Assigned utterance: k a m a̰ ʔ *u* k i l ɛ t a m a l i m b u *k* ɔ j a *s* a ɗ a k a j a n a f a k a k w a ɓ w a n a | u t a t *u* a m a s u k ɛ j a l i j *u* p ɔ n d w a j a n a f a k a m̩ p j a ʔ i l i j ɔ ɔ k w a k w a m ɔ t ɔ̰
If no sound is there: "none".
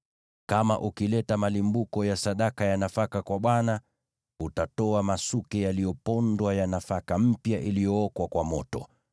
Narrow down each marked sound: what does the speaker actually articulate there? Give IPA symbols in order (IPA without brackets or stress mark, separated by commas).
u, k, s, ɔ, ɔ